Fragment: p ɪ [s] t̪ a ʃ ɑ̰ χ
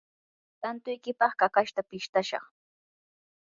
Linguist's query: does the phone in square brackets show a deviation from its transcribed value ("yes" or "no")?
yes